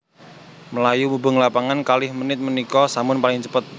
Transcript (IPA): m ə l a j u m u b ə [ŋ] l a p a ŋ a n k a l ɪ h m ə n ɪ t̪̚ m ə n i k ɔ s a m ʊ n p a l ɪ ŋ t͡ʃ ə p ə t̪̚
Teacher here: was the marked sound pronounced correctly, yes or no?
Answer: yes